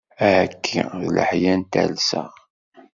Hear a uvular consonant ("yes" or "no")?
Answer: yes